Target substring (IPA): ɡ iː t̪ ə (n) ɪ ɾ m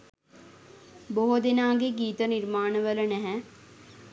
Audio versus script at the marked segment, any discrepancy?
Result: no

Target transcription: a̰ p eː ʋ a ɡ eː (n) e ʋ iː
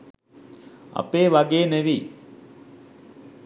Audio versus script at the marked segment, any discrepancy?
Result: no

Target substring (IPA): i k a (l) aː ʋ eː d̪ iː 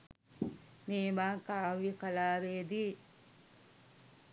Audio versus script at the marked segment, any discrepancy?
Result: no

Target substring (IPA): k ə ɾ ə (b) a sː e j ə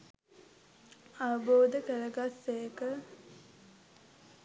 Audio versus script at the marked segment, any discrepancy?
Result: yes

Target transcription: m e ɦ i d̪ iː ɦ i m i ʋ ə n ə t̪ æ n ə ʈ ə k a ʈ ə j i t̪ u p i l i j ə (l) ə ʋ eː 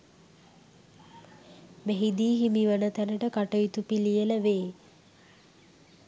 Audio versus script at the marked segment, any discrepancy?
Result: no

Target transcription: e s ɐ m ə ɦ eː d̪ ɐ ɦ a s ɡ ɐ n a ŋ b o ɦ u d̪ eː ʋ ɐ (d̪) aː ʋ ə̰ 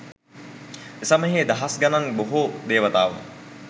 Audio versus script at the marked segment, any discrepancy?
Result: yes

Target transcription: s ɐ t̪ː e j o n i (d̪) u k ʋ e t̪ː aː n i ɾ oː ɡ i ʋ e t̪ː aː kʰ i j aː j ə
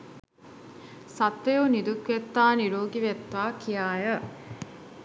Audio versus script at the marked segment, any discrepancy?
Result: no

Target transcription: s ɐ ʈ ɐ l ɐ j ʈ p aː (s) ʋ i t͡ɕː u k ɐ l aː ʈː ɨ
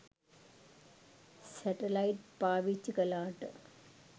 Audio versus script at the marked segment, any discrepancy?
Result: yes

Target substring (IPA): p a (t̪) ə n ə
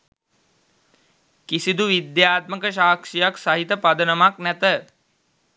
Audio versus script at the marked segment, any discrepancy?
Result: yes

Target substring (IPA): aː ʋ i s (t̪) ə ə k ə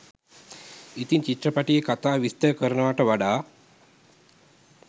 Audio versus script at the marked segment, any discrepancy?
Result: no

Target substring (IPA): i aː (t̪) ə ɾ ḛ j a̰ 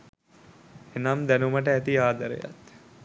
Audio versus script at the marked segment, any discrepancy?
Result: yes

